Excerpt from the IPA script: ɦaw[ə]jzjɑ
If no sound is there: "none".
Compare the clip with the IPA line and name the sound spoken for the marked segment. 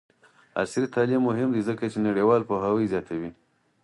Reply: ə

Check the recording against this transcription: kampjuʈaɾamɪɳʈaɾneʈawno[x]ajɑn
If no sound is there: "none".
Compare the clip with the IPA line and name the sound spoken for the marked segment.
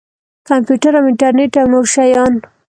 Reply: ʃ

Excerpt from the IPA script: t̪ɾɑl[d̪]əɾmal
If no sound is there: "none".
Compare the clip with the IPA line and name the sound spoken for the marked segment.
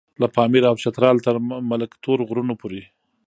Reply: t̪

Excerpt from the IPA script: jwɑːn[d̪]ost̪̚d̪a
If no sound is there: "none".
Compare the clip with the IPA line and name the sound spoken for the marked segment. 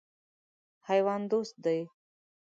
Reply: d̪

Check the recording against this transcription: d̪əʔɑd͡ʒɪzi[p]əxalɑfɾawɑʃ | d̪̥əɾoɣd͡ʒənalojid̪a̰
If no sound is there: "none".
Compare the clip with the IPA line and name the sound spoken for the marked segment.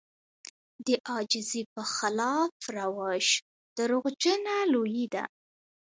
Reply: p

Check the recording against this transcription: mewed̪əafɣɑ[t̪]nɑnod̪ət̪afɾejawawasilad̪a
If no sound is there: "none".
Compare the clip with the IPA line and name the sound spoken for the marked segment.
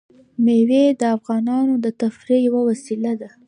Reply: none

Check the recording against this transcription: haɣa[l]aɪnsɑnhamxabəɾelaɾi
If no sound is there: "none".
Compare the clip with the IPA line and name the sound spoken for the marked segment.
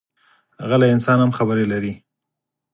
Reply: l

